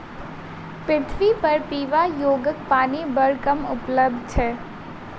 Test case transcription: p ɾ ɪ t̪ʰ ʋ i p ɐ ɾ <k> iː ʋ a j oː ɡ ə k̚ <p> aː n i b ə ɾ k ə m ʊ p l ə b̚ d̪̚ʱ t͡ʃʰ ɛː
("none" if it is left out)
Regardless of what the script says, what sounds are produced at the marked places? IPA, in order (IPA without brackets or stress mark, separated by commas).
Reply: p, p